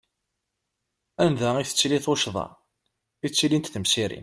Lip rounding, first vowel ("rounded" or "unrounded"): unrounded